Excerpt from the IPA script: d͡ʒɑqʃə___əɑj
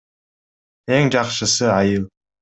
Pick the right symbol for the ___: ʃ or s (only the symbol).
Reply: s